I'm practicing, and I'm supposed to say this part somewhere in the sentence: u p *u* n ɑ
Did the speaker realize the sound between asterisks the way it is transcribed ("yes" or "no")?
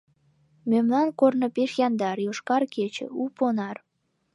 no